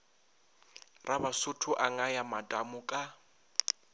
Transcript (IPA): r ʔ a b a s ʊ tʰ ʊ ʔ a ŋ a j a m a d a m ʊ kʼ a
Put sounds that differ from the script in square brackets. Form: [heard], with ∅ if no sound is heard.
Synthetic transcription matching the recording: r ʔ a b a s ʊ tʰ ʊ ʔ a ŋ a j a m a d a m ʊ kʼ a